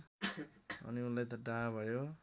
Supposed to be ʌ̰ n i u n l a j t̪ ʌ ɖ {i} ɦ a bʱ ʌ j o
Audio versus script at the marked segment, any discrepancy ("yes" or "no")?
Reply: yes